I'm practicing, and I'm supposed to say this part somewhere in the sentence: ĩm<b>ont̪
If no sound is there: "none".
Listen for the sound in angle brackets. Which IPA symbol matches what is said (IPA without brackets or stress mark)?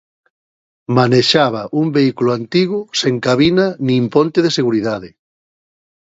p